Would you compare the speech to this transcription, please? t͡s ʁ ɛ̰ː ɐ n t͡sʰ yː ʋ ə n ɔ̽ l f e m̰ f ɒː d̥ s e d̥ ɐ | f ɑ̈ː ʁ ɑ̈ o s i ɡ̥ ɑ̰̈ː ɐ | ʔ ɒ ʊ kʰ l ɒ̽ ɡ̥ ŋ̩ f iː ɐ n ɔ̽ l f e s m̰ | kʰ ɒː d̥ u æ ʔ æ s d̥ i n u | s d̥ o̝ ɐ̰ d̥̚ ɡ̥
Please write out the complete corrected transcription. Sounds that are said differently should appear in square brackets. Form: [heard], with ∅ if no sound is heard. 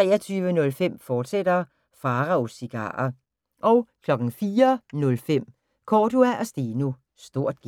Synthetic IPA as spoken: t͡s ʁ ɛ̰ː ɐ [∅] t͡sʰ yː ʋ ə n ɔ̽ l f e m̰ f ɒː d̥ s e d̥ ɐ | f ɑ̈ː ʁ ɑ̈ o s i ɡ̥ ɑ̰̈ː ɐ | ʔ ɒ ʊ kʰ l ɒ̽ ɡ̥ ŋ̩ f iː ɐ n ɔ̽ l f e [∅] m̰ | kʰ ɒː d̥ u æ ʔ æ s d̥ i n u | s d̥ o̝ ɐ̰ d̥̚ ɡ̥